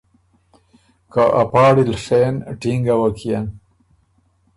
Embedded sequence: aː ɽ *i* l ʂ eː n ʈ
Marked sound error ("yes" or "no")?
no